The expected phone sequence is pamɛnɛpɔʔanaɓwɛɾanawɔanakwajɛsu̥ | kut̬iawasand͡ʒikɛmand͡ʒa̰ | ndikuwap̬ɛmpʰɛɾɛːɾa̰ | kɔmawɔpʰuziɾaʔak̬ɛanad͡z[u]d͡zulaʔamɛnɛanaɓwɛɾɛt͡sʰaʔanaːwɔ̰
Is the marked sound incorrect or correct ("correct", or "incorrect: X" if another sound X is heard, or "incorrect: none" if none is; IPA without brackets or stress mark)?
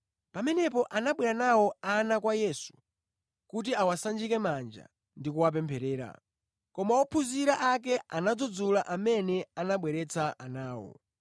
incorrect: ɔ